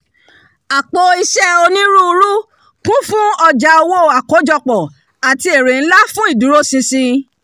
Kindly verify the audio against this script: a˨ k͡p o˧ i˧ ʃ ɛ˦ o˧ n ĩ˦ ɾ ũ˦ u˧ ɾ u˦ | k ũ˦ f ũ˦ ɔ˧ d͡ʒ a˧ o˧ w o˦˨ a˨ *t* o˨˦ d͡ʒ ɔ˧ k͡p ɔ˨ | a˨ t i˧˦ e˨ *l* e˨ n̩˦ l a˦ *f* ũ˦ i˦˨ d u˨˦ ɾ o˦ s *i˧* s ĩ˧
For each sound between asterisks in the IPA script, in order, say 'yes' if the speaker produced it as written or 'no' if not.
no, no, yes, no

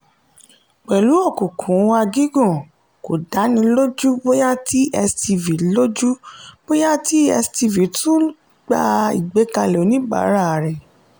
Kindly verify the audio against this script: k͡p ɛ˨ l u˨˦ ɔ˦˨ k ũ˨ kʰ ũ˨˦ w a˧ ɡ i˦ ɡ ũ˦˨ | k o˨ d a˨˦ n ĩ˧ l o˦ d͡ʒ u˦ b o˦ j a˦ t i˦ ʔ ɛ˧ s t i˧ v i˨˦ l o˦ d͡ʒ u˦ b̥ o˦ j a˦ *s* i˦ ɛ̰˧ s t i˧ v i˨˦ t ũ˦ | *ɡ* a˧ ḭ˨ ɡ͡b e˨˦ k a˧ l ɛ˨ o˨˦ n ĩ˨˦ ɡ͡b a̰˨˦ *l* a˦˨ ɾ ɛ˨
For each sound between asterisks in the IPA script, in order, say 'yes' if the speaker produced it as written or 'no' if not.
no, no, no

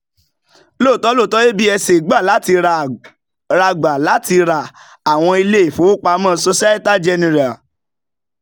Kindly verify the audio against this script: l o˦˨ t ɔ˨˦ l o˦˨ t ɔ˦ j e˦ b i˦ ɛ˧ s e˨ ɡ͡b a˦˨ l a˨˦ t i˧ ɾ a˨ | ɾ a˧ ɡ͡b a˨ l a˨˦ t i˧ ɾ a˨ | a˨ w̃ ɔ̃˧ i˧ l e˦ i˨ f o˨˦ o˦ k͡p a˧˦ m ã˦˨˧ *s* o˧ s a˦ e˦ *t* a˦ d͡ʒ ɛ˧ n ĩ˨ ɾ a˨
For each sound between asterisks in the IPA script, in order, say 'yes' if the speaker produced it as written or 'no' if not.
yes, yes

